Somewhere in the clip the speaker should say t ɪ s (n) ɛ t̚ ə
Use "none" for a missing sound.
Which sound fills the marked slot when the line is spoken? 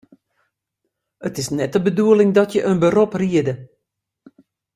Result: n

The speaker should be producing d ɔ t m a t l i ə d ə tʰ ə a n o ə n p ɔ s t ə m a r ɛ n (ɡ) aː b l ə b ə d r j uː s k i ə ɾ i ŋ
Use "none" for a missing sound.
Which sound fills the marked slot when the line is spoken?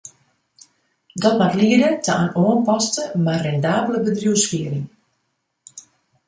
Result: d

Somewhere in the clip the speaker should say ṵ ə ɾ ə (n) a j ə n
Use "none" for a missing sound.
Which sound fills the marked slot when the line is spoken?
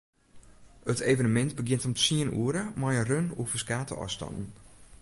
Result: m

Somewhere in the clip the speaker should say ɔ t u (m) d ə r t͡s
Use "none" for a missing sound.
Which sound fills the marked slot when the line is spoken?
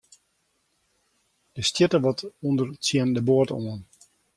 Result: n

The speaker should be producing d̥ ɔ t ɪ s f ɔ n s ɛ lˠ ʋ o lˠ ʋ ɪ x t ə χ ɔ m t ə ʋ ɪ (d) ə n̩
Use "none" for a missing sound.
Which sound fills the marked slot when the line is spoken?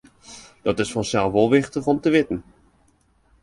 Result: t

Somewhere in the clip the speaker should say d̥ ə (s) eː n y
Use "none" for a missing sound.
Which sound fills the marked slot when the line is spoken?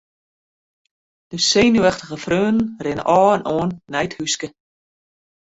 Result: s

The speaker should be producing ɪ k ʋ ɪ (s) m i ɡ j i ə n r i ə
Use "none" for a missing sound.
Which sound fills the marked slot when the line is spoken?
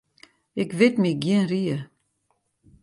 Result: t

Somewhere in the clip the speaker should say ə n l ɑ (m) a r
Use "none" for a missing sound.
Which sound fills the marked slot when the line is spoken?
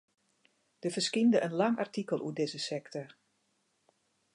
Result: ŋ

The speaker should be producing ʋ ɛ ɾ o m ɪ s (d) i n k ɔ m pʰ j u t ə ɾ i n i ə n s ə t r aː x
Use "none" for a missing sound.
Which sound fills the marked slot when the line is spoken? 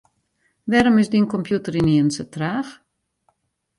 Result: d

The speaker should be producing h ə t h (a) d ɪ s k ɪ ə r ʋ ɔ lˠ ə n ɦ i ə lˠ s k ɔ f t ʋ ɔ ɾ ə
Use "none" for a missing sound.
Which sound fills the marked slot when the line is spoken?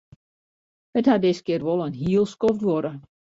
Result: a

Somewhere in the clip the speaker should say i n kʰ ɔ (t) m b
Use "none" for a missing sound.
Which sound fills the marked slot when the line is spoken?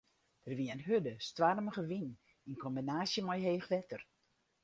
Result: none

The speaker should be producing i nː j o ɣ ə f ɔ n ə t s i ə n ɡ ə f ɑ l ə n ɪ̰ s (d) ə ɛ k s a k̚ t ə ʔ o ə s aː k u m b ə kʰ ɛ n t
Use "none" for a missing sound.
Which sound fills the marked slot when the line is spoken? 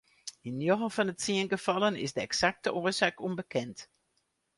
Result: d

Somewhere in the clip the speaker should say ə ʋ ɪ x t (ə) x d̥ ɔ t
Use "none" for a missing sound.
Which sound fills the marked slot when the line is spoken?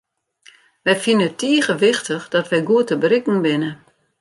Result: ə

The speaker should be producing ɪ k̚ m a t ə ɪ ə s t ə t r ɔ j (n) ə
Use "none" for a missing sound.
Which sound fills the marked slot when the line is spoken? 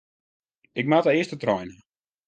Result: n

